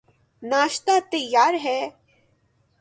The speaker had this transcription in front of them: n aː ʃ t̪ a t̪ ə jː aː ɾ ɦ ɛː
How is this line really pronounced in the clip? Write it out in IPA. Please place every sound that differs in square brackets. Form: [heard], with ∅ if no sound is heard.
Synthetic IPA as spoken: n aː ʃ t̪ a t̪ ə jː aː ɾ ɦ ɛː